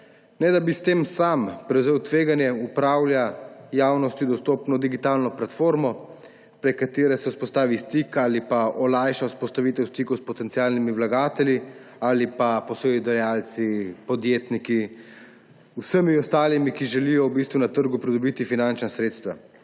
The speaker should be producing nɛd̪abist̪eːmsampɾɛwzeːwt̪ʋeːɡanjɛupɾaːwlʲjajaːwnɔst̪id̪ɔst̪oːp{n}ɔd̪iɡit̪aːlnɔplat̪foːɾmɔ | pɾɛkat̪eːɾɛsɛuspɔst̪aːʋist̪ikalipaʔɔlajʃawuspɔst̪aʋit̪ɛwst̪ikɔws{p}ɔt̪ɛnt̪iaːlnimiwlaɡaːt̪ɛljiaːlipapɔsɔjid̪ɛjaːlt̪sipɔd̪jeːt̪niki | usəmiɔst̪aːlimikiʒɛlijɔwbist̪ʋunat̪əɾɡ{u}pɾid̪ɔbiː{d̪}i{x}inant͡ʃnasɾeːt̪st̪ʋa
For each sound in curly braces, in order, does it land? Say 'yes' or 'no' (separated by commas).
yes, yes, yes, no, no